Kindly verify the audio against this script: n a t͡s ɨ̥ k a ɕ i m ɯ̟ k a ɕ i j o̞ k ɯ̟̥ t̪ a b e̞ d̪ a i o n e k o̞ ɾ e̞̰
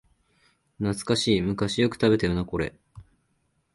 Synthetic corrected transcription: n a t͡s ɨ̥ k a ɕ iː m ɯ̟ k a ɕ i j o̞ k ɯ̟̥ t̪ a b e̞ t̪ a j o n a k o̞ ɾ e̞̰